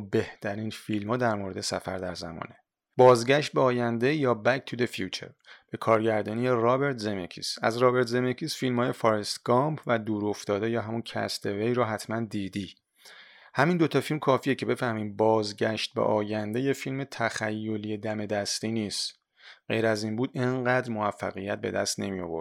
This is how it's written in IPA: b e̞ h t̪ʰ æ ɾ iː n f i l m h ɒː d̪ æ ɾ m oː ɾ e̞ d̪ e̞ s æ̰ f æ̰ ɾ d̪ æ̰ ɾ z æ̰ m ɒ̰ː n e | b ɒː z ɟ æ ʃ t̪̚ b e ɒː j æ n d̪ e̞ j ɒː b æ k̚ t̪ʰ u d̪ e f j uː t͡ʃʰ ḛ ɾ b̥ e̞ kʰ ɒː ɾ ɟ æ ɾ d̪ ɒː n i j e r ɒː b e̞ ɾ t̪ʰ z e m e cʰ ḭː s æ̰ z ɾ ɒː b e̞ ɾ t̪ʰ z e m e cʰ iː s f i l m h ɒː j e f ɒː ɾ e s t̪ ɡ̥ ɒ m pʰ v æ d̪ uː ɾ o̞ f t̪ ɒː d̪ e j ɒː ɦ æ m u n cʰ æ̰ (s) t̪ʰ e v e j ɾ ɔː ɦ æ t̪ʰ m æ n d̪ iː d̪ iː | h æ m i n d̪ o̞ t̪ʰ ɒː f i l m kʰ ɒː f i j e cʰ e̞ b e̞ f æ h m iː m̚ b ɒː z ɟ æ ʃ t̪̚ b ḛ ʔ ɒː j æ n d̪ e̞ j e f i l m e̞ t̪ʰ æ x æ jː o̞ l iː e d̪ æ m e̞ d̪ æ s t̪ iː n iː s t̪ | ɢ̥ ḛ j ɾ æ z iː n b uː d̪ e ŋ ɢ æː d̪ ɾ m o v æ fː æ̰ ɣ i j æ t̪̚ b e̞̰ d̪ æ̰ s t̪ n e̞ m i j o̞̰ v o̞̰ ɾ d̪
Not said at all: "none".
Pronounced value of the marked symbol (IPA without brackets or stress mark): s